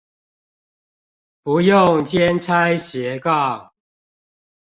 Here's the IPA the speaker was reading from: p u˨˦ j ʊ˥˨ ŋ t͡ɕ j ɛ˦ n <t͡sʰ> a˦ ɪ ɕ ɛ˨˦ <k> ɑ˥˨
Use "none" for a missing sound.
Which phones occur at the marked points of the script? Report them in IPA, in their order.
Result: t͡sʰ, k

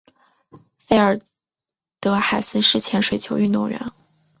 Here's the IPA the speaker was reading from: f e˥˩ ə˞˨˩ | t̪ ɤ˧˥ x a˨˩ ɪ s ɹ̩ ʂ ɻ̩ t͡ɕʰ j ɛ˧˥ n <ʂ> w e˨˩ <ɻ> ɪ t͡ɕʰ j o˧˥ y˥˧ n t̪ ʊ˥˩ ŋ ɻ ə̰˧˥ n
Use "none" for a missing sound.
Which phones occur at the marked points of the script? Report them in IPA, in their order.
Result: ʂ, none

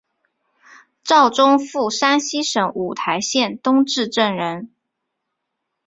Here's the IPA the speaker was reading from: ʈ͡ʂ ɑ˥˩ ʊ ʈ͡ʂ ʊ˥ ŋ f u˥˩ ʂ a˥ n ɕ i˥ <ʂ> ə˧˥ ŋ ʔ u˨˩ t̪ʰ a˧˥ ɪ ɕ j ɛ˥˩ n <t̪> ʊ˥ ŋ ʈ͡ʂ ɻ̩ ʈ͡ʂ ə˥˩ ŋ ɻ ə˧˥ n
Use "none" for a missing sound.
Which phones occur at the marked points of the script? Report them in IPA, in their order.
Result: ʂ, t̪

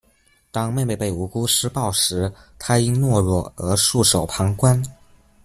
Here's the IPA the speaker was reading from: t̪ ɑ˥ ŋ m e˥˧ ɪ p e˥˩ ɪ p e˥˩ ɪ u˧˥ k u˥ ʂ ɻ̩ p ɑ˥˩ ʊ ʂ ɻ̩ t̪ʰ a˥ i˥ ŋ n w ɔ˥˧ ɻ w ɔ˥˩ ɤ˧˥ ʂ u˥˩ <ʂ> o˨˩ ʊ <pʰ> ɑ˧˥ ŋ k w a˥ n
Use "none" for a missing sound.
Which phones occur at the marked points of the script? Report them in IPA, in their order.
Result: ʂ, pʰ

